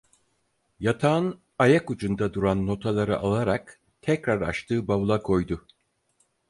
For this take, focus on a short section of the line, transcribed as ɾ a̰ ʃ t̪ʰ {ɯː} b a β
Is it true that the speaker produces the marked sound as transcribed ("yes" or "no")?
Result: yes